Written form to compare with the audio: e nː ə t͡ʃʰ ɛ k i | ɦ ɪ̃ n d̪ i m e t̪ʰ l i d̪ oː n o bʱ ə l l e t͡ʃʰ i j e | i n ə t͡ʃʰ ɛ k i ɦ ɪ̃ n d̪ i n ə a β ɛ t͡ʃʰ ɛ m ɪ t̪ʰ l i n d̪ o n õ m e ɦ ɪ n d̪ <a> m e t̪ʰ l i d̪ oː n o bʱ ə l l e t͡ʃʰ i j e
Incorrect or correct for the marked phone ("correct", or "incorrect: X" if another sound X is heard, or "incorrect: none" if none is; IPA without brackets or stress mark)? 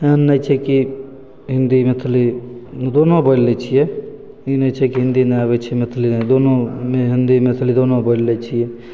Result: incorrect: i